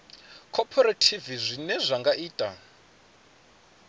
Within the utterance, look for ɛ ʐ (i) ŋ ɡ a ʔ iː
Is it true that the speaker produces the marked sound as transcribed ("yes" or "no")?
no